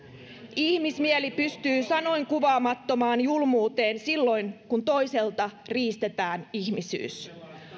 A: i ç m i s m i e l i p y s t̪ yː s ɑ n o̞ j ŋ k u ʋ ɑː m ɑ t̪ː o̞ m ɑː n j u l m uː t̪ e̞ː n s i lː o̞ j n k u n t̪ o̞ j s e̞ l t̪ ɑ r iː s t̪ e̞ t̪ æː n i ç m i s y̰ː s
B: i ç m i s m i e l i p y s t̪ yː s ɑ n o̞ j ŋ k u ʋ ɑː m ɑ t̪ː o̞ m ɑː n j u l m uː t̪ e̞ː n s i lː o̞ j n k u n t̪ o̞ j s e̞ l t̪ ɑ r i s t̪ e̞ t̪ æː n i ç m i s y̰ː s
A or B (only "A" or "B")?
A